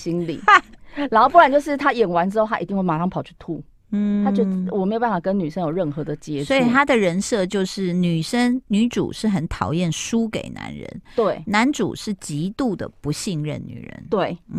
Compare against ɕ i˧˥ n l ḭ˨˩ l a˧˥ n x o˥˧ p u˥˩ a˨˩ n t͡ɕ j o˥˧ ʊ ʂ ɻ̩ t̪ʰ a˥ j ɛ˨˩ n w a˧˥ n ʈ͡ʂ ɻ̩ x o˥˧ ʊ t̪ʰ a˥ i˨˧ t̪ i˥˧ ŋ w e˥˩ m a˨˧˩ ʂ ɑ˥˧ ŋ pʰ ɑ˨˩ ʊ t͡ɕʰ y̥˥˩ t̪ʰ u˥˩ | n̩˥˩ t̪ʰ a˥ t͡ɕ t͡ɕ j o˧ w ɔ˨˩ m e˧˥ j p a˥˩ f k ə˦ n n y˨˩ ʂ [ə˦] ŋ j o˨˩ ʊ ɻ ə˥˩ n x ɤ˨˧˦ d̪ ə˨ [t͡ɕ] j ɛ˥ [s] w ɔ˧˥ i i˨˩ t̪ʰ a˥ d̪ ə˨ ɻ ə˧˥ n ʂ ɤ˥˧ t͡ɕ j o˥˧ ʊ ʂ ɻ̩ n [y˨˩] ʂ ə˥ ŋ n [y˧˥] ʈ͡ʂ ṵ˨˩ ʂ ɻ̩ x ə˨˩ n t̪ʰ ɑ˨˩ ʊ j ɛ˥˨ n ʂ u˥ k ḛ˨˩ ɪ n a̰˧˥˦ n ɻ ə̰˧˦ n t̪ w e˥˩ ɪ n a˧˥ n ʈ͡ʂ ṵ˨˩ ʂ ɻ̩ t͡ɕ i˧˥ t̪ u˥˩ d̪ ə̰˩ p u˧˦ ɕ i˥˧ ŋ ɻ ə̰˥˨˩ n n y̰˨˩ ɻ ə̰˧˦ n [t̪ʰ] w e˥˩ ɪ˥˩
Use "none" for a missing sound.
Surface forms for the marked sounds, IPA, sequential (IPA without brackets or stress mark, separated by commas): ə˦, t͡ɕ, s, y˨˩, y˧˥, t̪